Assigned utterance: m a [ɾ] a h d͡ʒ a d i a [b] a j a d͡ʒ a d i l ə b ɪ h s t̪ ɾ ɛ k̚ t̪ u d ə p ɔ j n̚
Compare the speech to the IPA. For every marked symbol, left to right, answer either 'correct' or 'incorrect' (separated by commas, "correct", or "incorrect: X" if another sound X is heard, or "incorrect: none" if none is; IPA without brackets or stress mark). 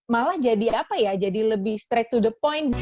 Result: incorrect: l, incorrect: p